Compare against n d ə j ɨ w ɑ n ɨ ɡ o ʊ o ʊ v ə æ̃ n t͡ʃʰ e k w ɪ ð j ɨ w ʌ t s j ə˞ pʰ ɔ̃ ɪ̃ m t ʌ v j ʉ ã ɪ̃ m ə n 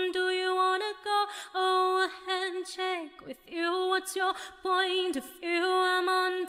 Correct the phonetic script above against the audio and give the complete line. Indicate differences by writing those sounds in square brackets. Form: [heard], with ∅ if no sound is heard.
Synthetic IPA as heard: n d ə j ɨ w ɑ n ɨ ɡ o ʊ o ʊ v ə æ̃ n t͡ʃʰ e k w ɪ ð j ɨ w ʌ t s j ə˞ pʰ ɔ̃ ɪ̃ [n] t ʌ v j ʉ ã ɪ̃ m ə n